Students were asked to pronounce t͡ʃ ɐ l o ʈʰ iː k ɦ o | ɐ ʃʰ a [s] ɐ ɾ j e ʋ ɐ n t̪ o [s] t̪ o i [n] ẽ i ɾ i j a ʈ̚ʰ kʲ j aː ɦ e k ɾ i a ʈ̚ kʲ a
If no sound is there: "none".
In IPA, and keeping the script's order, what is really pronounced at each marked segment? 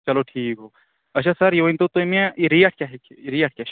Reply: s, none, m

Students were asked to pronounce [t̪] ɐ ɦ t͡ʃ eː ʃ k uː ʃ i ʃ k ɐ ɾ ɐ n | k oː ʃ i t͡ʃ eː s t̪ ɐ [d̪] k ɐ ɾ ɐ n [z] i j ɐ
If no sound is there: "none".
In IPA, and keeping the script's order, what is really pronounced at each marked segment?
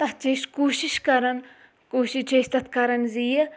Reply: t̪, t̪, z

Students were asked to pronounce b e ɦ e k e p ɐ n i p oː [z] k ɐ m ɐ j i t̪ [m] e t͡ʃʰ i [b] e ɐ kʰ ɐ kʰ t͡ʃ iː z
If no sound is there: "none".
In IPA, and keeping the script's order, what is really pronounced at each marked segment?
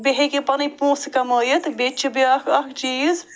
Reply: s, b, b

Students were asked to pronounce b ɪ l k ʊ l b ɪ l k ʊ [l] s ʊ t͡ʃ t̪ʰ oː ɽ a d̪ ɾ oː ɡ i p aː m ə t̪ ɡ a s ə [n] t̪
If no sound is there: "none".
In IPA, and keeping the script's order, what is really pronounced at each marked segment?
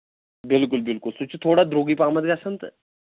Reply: l, n

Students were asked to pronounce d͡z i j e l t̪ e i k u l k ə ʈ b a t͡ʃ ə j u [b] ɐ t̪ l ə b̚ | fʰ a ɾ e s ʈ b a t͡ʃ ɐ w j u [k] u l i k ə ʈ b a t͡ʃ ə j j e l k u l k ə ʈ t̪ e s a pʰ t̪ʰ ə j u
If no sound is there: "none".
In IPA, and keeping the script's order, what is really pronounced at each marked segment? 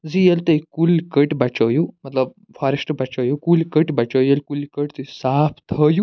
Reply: m, k

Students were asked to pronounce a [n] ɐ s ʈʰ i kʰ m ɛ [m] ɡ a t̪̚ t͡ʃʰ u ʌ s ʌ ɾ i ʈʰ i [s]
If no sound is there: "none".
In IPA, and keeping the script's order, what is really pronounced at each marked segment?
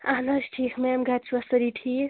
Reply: n, m, none

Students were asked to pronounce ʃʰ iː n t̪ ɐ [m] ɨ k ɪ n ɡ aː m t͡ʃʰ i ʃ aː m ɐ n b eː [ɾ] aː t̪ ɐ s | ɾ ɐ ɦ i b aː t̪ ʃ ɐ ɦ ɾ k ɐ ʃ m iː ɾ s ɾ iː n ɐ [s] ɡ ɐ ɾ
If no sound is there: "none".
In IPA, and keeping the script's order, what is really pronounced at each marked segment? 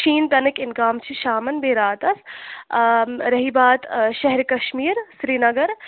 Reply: n, ɾ, none

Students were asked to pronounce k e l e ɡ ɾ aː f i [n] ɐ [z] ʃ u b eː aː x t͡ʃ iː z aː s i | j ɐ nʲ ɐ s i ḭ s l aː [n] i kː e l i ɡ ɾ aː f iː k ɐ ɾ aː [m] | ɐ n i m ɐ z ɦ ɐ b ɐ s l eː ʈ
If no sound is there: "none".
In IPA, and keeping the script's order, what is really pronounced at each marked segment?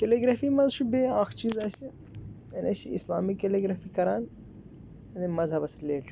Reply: m, z, m, n

